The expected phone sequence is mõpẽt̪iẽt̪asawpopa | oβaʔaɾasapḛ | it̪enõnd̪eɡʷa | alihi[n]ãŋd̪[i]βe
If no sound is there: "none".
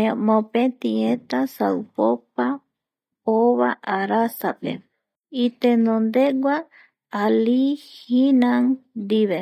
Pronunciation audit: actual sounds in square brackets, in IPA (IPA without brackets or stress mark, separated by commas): n, i